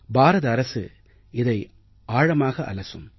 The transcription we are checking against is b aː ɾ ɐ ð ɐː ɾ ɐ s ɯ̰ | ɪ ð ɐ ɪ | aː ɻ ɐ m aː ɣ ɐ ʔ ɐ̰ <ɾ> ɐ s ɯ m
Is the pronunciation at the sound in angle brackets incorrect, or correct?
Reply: incorrect